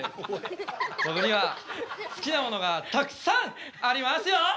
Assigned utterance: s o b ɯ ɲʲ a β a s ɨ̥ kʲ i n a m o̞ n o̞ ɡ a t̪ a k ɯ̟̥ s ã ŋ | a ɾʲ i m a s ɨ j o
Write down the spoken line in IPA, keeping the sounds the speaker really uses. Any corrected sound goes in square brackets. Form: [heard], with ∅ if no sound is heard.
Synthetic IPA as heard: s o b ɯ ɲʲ [i] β a s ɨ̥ kʲ i n a m o̞ n o̞ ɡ a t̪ a k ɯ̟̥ s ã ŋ | a ɾʲ i m a s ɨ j o